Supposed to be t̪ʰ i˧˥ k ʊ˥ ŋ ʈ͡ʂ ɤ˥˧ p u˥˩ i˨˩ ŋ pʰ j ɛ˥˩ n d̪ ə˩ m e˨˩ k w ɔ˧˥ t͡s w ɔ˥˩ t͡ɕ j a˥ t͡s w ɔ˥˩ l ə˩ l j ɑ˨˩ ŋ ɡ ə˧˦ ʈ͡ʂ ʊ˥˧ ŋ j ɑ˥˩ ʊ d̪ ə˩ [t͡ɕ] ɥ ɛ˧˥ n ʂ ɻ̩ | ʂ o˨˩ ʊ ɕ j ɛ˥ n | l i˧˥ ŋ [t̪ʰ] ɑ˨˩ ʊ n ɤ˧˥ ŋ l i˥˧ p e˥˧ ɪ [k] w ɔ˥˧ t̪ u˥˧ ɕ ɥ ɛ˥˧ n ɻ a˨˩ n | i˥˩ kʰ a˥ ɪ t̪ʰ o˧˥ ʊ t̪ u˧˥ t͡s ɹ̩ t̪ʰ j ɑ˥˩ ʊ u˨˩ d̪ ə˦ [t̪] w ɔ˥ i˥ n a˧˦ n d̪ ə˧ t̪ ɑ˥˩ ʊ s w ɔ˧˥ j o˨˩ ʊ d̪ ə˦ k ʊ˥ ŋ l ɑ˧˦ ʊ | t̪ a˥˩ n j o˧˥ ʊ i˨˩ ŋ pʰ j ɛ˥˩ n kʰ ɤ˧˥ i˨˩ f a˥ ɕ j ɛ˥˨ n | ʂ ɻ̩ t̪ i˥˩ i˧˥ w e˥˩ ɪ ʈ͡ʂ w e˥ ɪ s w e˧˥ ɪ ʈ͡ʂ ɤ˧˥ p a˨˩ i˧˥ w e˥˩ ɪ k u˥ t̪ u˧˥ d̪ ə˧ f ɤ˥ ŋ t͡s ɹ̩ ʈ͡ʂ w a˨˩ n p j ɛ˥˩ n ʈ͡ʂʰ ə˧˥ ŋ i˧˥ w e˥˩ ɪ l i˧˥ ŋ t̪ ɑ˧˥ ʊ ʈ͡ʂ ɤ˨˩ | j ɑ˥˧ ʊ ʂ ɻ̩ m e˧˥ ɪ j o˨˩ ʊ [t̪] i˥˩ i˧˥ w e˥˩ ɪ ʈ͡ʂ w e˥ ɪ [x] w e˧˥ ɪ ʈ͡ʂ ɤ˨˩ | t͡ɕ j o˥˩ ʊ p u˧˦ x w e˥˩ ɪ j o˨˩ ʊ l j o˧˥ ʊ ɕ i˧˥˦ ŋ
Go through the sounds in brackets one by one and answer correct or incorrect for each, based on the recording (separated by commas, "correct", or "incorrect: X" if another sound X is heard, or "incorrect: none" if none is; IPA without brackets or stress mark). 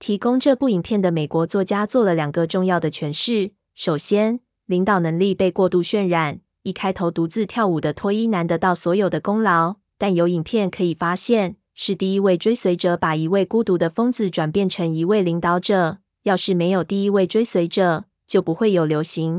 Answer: incorrect: t͡ɕʰ, incorrect: t̪, correct, incorrect: t̪ʰ, correct, incorrect: s